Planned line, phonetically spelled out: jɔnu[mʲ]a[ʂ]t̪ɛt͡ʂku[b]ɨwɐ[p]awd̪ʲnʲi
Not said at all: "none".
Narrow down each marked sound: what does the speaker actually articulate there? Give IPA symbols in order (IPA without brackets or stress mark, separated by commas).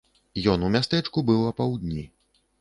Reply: mʲ, s, b, p